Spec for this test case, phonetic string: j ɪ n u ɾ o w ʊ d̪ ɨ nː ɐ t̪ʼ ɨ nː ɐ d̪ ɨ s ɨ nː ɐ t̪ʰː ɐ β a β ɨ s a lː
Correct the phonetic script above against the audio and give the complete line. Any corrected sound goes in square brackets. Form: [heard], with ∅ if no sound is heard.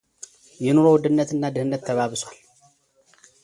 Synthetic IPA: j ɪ n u ɾ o w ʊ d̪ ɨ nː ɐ [t̪] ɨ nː [a] d̪ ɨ [h] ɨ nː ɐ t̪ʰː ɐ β a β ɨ s a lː